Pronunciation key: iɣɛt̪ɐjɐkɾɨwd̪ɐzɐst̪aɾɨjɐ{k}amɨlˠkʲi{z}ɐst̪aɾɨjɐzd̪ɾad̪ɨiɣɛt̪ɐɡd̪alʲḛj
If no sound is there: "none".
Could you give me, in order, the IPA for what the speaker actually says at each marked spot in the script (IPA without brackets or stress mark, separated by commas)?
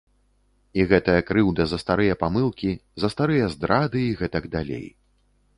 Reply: p, z